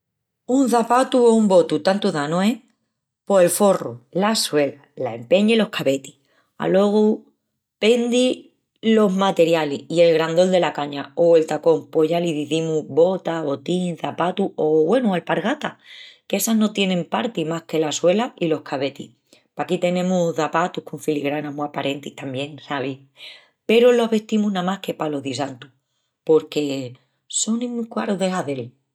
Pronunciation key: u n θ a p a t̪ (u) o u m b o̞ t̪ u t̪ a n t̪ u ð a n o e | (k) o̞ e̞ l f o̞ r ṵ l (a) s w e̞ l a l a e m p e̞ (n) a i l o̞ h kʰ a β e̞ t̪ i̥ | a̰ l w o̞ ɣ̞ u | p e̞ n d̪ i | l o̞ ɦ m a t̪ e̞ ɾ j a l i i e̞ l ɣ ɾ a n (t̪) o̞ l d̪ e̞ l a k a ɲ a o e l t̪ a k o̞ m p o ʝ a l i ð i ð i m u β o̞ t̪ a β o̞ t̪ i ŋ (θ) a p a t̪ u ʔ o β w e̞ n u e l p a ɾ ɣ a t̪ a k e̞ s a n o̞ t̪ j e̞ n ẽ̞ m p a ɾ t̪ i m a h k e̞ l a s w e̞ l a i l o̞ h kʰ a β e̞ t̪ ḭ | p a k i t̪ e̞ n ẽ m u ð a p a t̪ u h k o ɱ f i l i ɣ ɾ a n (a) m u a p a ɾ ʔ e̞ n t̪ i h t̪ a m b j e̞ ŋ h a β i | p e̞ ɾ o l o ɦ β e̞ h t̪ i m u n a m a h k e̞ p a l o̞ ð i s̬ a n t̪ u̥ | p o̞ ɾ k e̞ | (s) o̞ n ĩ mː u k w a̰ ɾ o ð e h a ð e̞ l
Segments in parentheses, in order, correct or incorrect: correct, incorrect, correct, incorrect, incorrect, correct, correct, correct

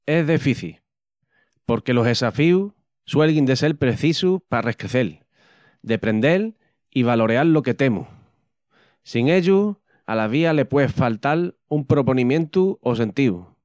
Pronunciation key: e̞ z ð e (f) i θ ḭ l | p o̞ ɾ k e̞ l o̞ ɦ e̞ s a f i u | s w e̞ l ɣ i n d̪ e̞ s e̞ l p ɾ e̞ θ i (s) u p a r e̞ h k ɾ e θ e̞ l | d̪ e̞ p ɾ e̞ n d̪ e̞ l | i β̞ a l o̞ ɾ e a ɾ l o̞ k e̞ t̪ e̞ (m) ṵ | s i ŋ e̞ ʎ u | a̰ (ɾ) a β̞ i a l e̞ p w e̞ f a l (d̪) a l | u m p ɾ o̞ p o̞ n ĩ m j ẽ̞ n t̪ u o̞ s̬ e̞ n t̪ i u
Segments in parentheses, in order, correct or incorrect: correct, correct, correct, incorrect, incorrect

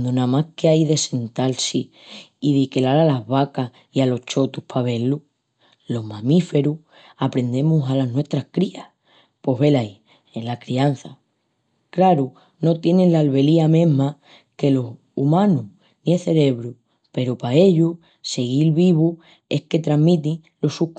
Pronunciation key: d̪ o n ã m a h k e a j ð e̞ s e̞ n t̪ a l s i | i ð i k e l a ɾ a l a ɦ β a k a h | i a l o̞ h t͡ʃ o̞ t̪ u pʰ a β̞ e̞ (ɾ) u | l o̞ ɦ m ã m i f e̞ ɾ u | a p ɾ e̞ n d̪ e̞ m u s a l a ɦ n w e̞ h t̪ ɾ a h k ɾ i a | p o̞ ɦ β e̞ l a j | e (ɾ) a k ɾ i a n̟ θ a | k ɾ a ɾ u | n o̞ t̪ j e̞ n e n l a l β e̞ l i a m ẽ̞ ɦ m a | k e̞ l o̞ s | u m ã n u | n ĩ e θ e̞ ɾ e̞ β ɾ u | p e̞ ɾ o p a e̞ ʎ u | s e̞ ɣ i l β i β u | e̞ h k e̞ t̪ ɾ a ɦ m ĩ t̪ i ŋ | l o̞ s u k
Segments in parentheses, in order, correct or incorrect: incorrect, incorrect

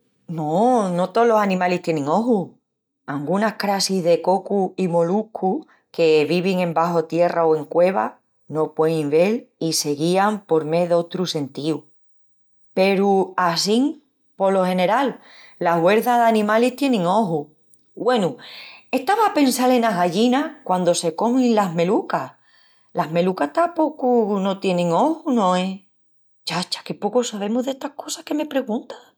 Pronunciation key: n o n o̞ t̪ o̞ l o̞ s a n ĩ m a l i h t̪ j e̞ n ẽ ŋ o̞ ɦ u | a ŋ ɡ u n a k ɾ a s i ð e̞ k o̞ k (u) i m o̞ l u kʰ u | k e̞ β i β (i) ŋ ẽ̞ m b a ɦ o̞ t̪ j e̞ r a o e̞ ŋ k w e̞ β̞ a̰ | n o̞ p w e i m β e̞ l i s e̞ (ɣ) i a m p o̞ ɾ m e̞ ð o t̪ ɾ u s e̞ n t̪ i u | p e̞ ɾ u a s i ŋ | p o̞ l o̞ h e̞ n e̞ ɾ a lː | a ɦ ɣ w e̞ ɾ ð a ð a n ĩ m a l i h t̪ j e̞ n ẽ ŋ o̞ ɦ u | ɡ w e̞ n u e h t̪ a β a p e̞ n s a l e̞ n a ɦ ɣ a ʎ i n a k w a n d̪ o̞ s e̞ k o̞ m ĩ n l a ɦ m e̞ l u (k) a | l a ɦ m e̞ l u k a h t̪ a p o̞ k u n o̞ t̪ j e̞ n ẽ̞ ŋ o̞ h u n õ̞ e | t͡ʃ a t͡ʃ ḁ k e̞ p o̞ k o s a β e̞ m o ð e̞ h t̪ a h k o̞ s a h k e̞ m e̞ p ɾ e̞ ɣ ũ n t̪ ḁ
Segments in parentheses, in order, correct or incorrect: correct, correct, correct, correct

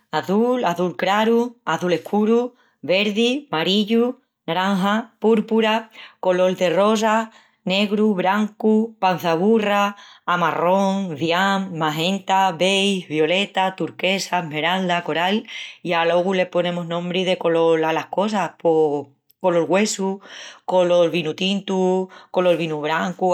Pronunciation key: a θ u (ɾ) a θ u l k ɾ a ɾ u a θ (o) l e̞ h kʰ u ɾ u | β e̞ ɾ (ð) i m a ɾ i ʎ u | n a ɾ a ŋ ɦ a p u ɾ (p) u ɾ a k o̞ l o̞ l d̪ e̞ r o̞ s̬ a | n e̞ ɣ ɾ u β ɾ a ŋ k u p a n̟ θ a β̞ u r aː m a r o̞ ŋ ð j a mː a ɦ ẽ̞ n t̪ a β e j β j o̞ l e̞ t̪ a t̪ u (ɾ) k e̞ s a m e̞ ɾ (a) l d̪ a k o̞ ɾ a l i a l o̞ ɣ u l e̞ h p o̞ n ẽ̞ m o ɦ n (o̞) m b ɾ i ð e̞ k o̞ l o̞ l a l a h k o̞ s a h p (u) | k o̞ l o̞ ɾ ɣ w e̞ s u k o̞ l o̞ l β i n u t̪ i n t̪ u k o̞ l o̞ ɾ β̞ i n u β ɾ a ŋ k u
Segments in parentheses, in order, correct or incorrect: incorrect, incorrect, correct, correct, correct, correct, incorrect, incorrect

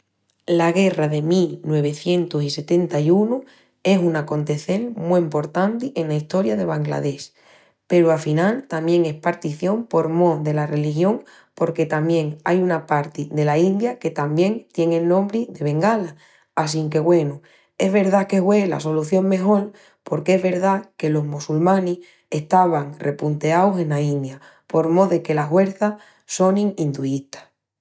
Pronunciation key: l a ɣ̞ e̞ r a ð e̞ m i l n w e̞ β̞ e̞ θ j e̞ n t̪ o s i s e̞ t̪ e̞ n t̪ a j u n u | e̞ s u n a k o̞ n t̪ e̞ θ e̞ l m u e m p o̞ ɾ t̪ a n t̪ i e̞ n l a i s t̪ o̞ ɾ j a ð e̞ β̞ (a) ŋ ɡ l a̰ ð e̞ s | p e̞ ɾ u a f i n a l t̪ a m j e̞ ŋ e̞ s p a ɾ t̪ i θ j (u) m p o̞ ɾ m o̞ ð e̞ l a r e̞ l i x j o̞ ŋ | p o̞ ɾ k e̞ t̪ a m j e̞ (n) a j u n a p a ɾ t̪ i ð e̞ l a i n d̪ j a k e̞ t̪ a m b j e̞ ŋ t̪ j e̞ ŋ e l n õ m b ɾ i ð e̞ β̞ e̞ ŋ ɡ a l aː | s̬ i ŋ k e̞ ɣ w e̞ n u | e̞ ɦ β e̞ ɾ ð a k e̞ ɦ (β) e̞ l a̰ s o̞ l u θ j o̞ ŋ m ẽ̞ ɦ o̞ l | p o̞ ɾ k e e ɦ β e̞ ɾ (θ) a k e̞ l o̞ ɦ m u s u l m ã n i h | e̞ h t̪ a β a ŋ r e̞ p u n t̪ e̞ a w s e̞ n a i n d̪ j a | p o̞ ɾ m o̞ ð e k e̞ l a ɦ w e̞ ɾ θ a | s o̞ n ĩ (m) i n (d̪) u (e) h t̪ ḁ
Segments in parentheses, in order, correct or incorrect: correct, incorrect, incorrect, incorrect, incorrect, incorrect, correct, incorrect

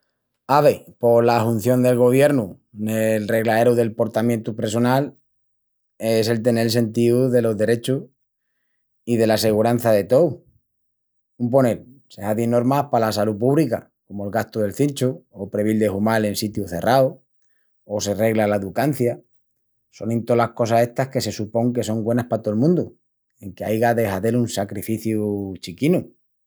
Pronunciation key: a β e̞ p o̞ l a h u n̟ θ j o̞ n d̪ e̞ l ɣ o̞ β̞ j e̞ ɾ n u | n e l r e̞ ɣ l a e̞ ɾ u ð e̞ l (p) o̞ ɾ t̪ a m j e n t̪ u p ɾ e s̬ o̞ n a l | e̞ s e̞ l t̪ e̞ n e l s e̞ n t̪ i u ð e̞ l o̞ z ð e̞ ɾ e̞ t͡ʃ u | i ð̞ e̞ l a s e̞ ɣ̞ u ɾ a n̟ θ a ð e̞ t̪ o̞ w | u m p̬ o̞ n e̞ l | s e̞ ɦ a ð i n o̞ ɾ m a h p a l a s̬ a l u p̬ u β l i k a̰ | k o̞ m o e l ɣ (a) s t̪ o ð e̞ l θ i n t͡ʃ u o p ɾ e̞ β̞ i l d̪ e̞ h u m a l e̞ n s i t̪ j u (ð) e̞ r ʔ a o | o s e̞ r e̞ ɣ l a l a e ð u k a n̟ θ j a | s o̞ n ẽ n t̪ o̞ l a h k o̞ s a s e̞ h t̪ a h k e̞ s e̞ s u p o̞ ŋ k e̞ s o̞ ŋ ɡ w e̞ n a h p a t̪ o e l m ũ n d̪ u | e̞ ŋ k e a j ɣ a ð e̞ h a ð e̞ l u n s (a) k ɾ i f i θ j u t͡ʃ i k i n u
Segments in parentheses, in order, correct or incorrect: correct, correct, incorrect, correct

